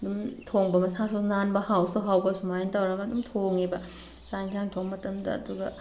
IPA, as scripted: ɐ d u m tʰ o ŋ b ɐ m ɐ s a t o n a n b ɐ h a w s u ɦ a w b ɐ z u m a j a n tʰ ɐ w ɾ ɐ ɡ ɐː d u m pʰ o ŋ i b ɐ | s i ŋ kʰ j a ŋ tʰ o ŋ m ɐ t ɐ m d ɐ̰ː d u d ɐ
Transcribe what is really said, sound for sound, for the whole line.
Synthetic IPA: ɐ d u m tʰ o ŋ b ɐ m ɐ s a s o n a n b ɐ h a w s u ɦ a w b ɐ s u m a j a n t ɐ w ɾ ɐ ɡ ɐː d u m tʰ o ŋ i b ɐ | s a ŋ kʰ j a ŋ tʰ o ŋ m ɐ t ɐ m d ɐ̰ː d u ɡ ɐ

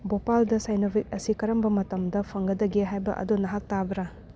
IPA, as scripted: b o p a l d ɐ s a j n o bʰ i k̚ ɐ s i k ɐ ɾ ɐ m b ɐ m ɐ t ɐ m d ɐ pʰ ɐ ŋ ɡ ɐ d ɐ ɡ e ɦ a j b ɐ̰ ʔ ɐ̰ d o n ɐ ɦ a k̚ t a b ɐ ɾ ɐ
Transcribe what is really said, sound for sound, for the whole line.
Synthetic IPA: b o p a l d ɐ s a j n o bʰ i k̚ ɐ s i k ɐ ɾ ɐ m b ɐ m ɐ t ɐ m d ɐ pʰ ɐ ŋ ɡ ɐ d ɐ ɡ e ɦ a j b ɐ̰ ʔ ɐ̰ d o n ɐ ɦ a k̚ t a b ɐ ɾ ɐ

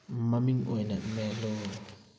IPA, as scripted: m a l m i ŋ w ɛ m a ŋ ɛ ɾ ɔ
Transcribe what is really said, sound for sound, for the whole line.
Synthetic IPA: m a m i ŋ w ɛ n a m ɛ l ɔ

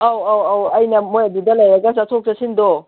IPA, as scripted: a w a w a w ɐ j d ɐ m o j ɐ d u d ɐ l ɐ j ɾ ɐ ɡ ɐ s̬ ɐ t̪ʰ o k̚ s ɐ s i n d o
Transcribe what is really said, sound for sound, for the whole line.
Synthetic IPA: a w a w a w ɐ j n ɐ m o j ɐ d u d ɐ l ɐ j ɾ ɐ ɡ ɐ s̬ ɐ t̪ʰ o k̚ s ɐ s i n d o

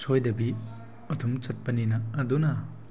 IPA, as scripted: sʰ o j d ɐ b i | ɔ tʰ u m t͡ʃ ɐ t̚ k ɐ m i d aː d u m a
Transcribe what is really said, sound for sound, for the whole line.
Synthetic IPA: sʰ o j d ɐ b i | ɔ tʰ u m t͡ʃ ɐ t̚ p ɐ n i n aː d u n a

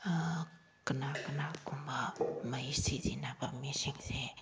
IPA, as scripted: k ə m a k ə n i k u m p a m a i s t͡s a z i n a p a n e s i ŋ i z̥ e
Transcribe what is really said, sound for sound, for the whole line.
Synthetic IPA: k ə n a k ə n a k u m b a m a i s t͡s i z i n a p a m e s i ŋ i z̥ e

